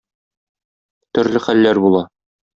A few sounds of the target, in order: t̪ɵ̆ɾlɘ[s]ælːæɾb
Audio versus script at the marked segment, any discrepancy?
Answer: yes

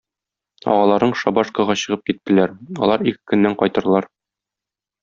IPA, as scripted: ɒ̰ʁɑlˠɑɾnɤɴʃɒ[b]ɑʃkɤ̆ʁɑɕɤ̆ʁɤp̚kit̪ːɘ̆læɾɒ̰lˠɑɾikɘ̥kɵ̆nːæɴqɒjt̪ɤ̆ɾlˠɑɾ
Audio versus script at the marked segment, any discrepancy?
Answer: no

